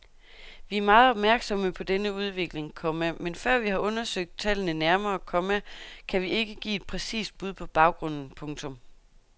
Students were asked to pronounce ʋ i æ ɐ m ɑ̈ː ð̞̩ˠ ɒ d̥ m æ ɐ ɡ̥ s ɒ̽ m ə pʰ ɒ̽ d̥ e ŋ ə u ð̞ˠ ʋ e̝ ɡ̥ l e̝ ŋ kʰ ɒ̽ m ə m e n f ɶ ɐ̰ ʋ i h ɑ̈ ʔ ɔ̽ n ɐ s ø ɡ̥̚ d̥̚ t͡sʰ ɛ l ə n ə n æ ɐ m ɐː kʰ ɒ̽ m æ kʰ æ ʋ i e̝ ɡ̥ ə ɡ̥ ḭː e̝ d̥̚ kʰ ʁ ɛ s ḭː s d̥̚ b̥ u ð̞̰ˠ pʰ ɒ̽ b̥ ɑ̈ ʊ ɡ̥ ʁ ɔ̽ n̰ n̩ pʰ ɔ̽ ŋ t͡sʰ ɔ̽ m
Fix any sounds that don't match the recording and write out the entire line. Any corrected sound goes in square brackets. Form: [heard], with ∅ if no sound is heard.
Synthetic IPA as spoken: ʋ i æ ɐ m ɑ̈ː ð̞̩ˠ ɒ [b̥] m æ ɐ ɡ̥ s ɒ̽ m ə pʰ ɒ̽ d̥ e [n] ə u ð̞ˠ ʋ e̝ ɡ̥ l e̝ ŋ kʰ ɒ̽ m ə m e n f ɶ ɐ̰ ʋ i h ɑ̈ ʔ ɔ̽ n ɐ s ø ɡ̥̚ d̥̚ t͡sʰ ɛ l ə n ə n æ ɐ m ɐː kʰ ɒ̽ m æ kʰ æ ʋ i e̝ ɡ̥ ə ɡ̥ ḭː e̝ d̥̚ [pʰ] ʁ ɛ s ḭː s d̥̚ b̥ u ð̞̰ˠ pʰ ɒ̽ b̥ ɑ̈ ʊ ɡ̥ ʁ ɔ̽ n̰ n̩ pʰ ɔ̽ ŋ t͡sʰ ɔ̽ m